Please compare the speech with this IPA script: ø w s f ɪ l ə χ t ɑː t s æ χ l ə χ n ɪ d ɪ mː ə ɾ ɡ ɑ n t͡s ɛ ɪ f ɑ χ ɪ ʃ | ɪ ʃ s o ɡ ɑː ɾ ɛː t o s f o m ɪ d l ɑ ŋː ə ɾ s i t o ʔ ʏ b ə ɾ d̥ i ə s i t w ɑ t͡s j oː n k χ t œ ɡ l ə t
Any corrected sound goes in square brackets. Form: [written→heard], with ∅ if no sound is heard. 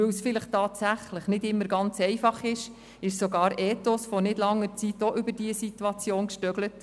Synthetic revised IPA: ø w s f ɪ l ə χ t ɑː t s æ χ l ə χ n ɪ d ɪ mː ə ɾ ɡ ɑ n t͡s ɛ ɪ f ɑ χ ɪ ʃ | ɪ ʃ s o ɡ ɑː ɾ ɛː t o s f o [m→n] ɪ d l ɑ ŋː ə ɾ [s→t͡s] i t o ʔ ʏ b ə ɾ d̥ i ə s i t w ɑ t͡s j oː n k [χ→ʃ] t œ ɡ l ə t